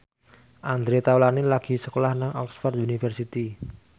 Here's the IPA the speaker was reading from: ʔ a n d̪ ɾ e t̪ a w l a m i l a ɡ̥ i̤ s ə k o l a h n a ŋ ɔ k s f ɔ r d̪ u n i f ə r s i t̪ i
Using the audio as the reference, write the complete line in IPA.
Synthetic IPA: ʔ a n d̪ ɾ e t̪ a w l a n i l a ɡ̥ i̤ s ə k o l a h n a ŋ ɔ k s f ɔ r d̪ u n i f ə r s i t̪ i